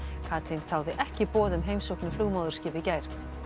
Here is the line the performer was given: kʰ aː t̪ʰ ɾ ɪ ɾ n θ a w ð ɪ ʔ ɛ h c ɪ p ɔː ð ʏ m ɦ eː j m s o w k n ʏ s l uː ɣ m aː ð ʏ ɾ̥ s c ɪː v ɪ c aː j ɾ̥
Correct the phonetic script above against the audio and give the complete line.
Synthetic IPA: kʰ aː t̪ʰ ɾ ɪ n θ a w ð ɪ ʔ ɛ h c ɪ p ɔː ð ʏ m ɦ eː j m s o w k n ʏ f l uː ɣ m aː ð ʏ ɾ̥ s c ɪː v ɪ c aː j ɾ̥